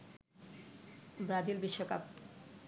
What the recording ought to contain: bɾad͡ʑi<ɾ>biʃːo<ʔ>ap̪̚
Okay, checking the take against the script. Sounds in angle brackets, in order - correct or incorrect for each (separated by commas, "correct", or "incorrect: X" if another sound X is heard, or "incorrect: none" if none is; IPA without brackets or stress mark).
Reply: incorrect: l, incorrect: k